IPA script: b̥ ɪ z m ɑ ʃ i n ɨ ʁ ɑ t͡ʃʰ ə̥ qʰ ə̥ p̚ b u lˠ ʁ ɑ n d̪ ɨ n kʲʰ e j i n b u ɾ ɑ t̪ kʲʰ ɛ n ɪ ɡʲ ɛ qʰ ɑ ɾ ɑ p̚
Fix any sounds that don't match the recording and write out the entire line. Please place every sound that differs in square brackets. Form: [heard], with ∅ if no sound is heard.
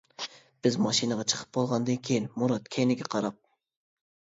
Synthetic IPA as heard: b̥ ɪ z m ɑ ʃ i n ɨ ʁ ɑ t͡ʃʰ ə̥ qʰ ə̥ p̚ b [o] lˠ ʁ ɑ n d̪ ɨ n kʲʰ e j i n [m] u ɾ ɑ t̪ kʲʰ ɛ n ɪ ɡʲ ɛ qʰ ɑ ɾ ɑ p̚